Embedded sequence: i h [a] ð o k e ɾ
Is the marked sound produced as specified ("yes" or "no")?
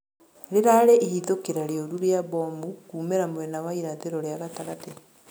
no